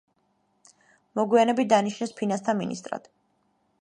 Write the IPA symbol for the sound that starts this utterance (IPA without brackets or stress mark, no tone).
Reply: m